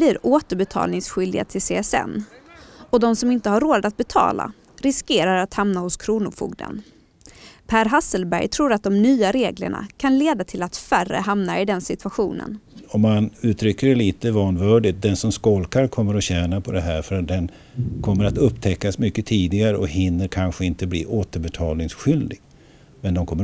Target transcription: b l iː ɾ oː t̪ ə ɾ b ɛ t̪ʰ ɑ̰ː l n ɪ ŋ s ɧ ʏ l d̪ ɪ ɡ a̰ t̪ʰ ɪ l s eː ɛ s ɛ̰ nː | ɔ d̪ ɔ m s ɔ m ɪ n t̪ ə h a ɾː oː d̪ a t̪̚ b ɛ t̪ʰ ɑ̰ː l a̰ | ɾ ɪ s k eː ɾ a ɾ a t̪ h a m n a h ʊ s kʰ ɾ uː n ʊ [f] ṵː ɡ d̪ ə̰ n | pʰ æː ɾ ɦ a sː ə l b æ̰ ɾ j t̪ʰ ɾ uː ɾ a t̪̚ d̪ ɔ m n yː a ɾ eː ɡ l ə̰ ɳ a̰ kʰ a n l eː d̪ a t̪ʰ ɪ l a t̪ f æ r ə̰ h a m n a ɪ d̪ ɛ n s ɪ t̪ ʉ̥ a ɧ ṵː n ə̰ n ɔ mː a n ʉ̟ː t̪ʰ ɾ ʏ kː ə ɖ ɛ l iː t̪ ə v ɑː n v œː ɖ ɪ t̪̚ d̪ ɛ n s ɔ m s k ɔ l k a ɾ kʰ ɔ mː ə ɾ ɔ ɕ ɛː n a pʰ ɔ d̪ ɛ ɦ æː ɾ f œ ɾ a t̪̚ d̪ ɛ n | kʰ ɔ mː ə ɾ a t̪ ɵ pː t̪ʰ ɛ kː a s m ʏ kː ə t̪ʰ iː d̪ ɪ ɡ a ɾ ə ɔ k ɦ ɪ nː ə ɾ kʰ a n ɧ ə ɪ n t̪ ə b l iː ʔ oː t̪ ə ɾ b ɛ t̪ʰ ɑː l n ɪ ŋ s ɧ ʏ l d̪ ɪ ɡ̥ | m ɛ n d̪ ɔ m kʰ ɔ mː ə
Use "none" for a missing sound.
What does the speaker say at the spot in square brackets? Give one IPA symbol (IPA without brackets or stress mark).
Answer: f